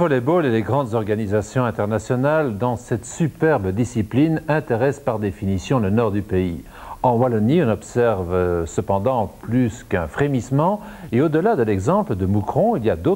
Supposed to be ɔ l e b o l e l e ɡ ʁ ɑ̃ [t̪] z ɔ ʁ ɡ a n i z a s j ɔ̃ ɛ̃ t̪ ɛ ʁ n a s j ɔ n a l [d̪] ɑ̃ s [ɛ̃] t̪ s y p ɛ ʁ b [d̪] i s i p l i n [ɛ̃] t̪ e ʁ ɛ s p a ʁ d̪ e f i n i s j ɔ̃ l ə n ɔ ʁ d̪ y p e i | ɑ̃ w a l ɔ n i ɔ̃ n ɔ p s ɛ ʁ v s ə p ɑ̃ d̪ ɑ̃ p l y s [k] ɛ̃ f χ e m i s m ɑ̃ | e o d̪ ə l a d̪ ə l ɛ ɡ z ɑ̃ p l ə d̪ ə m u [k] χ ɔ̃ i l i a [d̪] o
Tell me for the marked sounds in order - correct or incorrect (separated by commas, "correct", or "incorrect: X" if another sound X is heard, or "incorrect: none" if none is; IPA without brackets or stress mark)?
incorrect: d̪, correct, incorrect: ɛ, correct, correct, correct, correct, correct